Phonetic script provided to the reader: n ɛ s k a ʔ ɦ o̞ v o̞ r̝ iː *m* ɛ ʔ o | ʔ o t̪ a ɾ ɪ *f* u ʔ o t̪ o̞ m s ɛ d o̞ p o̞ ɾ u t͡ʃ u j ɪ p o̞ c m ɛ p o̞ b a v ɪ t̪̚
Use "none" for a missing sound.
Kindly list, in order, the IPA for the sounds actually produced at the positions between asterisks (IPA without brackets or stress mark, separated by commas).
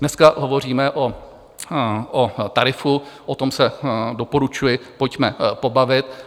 m, f